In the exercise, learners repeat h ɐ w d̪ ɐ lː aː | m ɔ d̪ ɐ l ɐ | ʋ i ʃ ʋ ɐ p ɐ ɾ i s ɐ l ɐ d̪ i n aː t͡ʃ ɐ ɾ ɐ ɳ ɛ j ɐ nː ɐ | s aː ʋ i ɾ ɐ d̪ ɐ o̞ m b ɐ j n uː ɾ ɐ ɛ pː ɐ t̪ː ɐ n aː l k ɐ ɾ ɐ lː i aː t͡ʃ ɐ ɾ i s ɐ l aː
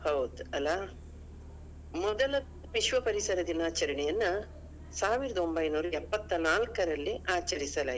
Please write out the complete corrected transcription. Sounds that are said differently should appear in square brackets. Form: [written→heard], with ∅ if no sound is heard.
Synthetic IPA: h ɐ w d̪ ɐ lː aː | m ɔ d̪ ɐ l ɐ | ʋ i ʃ ʋ ɐ p ɐ ɾ i s ɐ [l→ɾ] ɐ d̪ i n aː t͡ʃ ɐ ɾ ɐ ɳ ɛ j ɐ nː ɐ | s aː ʋ i ɾ ɐ d̪ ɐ o̞ m b ɐ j n uː ɾ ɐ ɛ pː ɐ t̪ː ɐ n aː l k ɐ ɾ ɐ lː i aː t͡ʃ ɐ ɾ i s ɐ l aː